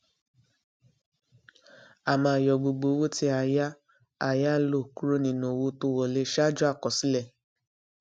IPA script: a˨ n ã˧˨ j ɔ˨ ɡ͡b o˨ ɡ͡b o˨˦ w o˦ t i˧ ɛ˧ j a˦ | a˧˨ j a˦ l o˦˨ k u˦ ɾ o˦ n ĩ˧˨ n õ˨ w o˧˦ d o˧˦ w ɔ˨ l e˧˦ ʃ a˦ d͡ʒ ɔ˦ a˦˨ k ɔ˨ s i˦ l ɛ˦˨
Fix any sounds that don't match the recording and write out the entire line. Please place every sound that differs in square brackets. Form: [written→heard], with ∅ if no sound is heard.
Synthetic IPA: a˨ [n→m] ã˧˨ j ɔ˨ ɡ͡b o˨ ɡ͡b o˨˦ w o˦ t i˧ [ɛ˧→a˧] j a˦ | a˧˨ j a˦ l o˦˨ k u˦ ɾ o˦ n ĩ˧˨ n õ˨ w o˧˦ [d→t] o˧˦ w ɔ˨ l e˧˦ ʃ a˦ d͡ʒ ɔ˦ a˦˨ k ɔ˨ s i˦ l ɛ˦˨